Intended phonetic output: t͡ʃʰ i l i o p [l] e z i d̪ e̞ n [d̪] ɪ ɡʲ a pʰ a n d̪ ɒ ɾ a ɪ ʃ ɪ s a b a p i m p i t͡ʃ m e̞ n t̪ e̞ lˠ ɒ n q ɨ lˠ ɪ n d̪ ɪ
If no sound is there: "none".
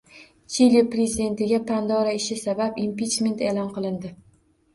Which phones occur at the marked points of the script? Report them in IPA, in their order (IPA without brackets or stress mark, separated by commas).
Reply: ɾ, t̪